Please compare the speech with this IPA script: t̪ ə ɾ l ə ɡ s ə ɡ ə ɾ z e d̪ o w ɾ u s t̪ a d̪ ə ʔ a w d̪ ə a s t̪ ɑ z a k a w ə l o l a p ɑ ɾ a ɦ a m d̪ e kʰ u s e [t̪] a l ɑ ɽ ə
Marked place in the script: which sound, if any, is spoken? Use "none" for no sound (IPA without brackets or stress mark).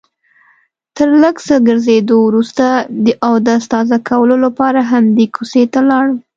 t̪